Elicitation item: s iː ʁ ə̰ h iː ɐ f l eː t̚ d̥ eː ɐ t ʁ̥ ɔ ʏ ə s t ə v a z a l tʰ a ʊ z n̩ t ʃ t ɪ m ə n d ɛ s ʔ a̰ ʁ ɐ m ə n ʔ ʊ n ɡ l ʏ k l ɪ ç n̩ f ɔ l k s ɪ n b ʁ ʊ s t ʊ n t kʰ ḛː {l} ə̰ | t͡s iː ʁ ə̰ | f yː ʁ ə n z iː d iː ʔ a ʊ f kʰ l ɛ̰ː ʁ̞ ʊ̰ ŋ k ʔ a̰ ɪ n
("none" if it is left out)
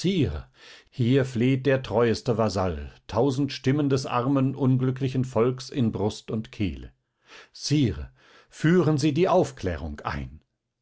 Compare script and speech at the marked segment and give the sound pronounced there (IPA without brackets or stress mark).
l